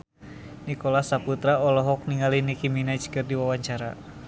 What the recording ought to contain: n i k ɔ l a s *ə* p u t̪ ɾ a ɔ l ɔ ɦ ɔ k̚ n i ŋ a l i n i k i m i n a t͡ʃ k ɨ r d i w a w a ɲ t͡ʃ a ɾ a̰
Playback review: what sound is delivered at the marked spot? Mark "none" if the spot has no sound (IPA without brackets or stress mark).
a